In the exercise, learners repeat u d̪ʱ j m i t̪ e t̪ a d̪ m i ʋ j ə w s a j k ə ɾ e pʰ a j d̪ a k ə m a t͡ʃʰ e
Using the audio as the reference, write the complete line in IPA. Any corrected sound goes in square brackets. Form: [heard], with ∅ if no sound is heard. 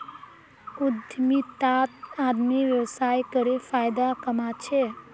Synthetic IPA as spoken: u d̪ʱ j m i t̪ [a] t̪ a d̪ m i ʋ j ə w s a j k ə ɾ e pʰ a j d̪ a k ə m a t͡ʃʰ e